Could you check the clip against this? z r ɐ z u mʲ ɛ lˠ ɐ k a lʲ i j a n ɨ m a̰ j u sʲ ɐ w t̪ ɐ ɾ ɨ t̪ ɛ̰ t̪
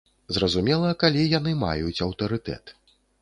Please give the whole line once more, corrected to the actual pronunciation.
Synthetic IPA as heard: z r ɐ z u mʲ ɛ lˠ ɐ k a lʲ i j a n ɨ m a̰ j u t͡sʲ ɐ w t̪ ɐ ɾ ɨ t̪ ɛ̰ t̪